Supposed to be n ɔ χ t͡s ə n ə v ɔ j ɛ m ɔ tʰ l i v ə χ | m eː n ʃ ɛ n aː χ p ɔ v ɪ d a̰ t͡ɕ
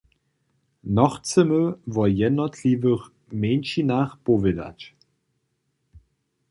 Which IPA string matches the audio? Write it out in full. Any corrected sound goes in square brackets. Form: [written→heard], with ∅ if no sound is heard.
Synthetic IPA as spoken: n ɔ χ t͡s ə [n→m] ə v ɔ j ɛ [m→n] ɔ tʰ l i v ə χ | m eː n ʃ [ɛ→i] n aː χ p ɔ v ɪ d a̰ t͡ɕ